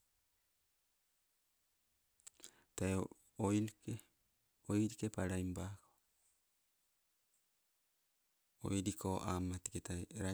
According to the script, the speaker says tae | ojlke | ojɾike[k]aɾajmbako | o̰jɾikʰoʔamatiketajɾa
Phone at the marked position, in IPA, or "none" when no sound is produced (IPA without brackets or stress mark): p